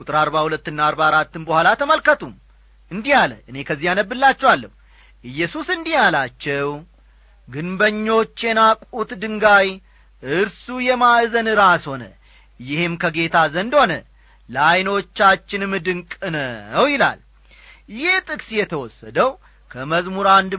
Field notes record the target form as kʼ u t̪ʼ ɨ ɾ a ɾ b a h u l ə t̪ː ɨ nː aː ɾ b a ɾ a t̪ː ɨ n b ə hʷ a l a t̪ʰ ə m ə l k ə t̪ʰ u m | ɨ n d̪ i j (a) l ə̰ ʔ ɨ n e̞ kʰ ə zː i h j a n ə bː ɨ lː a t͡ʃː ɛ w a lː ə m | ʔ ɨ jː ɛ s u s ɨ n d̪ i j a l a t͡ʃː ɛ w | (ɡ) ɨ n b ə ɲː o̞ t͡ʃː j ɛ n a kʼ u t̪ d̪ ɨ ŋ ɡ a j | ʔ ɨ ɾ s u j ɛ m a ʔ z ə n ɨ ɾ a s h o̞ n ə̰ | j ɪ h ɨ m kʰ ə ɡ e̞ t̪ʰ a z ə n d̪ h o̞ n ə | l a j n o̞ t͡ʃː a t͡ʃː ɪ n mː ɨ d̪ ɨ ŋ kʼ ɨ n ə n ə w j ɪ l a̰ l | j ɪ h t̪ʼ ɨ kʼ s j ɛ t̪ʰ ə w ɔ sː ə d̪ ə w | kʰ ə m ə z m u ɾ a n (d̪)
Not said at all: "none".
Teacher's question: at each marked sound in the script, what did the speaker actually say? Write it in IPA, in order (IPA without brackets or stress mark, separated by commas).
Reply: a, ɡ, d̪